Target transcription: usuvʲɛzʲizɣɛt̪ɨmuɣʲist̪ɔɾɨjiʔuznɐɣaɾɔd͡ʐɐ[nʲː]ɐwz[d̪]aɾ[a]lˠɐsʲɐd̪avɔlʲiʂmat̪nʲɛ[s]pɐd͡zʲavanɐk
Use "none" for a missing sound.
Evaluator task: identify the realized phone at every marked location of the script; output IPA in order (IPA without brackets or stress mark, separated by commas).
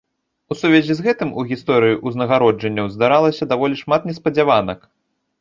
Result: nʲː, d̪, a, s